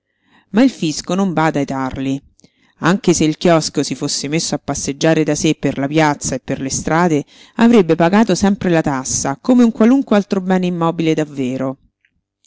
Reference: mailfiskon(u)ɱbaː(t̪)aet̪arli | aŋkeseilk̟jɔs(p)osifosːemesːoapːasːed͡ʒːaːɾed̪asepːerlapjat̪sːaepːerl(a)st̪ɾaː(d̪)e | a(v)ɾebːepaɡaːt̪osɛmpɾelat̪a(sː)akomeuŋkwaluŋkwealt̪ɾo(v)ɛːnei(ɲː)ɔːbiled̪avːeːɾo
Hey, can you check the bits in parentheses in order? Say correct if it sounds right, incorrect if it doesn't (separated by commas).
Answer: incorrect, incorrect, incorrect, incorrect, correct, correct, correct, incorrect, incorrect